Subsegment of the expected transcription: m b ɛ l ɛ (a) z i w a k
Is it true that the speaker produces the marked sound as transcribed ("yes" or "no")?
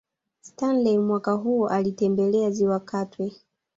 yes